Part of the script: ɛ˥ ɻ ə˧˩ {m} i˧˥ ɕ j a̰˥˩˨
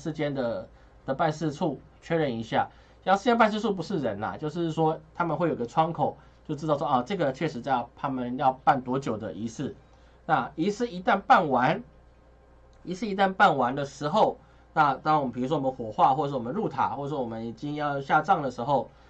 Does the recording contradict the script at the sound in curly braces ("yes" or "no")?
yes